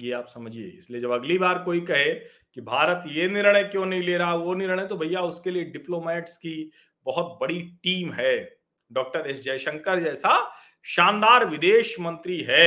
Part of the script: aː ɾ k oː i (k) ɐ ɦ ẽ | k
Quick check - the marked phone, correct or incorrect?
correct